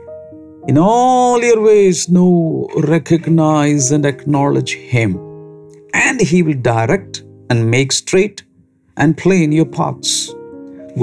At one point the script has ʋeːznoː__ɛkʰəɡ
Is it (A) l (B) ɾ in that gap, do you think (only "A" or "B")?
B